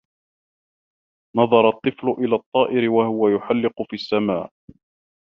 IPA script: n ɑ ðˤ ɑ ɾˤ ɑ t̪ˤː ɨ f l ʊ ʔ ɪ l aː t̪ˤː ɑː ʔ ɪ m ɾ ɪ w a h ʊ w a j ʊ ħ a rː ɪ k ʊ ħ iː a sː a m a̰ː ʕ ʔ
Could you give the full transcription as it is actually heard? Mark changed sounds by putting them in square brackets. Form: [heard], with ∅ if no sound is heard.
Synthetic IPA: n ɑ ðˤ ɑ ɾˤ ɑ t̪ˤː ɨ f l ʊ ʔ ɪ l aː t̪ˤː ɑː ʔ ɪ [∅] ɾ ɪ w a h ʊ w a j ʊ ħ a [lː] ɪ [q] ʊ [f] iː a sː a m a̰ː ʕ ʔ